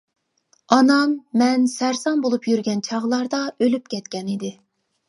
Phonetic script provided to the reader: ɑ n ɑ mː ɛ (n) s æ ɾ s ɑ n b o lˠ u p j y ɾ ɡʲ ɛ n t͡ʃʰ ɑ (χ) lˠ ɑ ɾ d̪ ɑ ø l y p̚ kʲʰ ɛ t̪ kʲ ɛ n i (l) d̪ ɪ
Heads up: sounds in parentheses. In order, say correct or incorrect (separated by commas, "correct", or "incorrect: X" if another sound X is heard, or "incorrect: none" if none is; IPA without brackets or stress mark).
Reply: correct, incorrect: ʁ, incorrect: none